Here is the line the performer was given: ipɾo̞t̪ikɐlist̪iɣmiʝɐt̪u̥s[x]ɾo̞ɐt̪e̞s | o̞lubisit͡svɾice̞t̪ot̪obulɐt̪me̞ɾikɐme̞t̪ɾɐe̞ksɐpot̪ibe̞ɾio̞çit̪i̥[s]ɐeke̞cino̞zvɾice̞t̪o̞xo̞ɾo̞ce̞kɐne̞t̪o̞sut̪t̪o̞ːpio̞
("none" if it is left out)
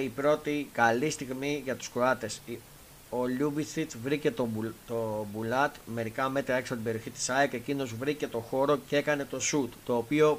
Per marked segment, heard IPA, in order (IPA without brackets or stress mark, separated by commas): k, s